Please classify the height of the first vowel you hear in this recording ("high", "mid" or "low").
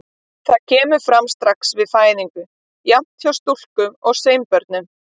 low